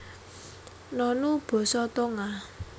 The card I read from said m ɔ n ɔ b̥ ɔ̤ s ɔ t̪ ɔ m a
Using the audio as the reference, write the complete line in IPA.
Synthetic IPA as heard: n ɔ n u b̥ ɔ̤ s ɔ t̪ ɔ ŋ a